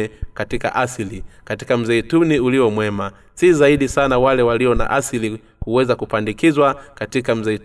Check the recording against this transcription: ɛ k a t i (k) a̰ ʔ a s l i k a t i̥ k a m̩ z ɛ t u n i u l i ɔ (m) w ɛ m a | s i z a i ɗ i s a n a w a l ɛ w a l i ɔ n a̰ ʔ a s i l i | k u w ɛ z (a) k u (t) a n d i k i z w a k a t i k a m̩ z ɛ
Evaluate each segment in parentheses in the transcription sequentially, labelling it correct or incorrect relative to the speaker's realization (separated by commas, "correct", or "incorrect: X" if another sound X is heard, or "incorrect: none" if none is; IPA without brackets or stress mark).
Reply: correct, correct, correct, incorrect: p